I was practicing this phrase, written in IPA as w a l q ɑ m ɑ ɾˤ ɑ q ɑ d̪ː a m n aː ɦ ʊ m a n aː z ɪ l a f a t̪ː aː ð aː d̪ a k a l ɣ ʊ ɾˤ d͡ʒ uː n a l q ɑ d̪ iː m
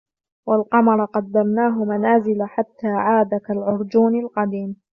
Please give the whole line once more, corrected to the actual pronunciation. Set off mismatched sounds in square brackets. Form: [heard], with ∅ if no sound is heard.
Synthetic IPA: w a l q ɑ m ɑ ɾˤ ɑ q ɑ d̪ː a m n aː ɦ ʊ m a n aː z ɪ l a [ħ] a t̪ː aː [ʕ] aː d̪ a k a l [ʕ] ʊ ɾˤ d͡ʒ uː n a l q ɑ d̪ iː m